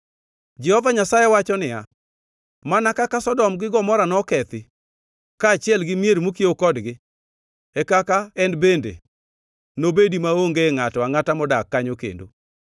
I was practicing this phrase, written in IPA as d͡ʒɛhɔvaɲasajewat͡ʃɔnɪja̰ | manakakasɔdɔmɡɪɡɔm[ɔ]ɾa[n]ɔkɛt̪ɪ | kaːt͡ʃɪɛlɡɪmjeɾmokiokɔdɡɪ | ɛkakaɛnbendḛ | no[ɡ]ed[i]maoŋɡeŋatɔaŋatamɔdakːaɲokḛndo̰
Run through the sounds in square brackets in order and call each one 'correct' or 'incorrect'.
correct, correct, incorrect: b, correct

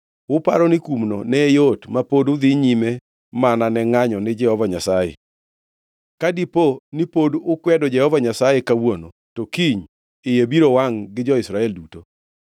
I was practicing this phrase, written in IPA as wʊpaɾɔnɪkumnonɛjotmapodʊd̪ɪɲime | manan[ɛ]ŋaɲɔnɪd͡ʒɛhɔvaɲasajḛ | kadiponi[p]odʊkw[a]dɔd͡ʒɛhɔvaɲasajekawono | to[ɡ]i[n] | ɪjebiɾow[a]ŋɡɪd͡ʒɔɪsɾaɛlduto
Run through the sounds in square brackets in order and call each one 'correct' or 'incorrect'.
correct, correct, incorrect: ɛ, incorrect: k, incorrect: ɲ, correct

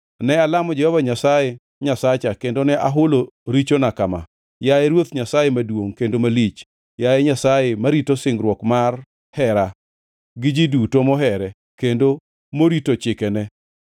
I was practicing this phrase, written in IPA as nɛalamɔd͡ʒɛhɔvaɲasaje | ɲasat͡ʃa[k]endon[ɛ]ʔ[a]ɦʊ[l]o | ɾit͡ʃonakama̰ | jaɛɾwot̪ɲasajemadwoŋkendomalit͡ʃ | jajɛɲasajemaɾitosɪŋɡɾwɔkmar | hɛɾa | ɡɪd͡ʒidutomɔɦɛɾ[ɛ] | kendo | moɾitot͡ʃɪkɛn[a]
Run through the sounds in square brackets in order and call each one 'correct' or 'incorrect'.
correct, correct, correct, correct, correct, incorrect: ɛ

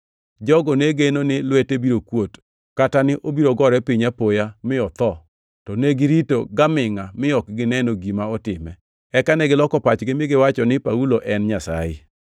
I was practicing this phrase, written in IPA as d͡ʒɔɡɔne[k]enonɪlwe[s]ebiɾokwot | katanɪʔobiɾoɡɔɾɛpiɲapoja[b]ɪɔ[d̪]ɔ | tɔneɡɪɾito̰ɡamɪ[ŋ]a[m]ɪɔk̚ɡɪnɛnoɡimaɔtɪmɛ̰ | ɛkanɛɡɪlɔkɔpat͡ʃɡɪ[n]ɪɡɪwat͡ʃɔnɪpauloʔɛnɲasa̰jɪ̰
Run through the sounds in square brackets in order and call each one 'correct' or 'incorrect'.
incorrect: ɡ, incorrect: t, incorrect: m, incorrect: t̪, correct, correct, incorrect: m

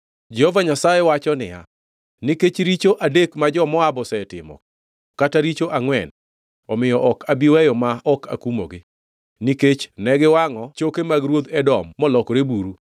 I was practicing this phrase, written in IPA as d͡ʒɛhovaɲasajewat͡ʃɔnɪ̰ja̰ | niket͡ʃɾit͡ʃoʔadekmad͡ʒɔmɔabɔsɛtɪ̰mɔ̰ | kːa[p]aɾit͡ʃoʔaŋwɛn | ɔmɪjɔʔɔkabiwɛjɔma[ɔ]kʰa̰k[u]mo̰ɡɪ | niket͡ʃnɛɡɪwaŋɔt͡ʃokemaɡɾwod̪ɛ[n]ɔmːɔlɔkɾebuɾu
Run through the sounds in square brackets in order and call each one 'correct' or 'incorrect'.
incorrect: t, correct, correct, incorrect: d

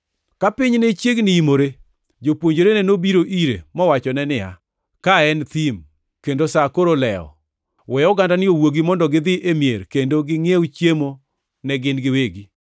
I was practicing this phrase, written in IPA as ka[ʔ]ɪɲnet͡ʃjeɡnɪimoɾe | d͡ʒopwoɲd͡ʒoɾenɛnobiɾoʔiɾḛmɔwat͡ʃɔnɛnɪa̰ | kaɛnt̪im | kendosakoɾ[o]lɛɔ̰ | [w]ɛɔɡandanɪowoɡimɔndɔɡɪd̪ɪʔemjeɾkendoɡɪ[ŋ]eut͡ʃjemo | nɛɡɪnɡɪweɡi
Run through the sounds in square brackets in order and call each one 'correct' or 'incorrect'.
incorrect: p, correct, correct, correct

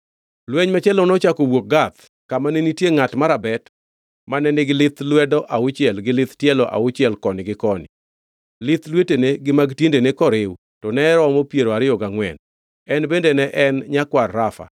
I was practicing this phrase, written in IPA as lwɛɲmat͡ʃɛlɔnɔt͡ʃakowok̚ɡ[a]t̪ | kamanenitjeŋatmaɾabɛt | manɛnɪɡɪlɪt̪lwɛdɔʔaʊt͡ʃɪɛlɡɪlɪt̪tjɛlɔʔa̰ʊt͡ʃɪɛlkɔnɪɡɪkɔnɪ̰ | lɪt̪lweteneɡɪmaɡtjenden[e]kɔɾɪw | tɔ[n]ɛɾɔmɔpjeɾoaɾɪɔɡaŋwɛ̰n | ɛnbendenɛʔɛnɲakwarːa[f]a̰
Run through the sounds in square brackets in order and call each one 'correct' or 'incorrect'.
correct, correct, correct, correct

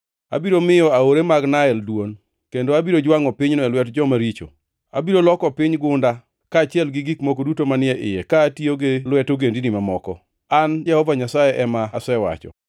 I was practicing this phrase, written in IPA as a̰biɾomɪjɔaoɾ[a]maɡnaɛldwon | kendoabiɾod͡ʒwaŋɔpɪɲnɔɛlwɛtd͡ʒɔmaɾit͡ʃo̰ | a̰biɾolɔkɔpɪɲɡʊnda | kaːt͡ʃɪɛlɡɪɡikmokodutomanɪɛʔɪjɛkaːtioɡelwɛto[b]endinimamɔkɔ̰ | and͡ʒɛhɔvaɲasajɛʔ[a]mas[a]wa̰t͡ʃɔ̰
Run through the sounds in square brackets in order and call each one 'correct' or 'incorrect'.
incorrect: e, incorrect: ɡ, incorrect: ɛ, incorrect: ɛ

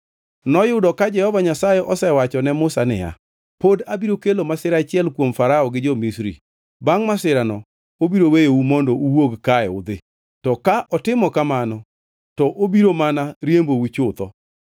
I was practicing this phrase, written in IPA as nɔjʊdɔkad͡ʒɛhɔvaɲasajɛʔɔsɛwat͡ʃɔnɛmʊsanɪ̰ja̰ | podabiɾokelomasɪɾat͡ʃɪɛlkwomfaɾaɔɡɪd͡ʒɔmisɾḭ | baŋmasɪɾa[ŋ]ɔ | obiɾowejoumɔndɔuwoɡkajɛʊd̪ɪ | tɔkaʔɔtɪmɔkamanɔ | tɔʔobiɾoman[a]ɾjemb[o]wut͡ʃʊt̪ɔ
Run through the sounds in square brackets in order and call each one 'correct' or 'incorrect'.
incorrect: n, correct, correct

